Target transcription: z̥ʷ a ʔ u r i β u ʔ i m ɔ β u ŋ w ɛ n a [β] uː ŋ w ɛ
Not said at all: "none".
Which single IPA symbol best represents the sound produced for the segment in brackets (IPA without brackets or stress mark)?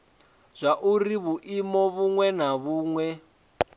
β